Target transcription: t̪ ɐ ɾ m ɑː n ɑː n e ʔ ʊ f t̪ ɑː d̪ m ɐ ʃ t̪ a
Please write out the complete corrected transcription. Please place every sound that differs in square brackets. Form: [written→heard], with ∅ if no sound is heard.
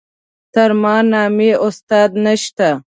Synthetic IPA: t̪ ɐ ɾ m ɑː n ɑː [n→m] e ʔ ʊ [f→s] t̪ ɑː d̪ [m→n] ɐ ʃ t̪ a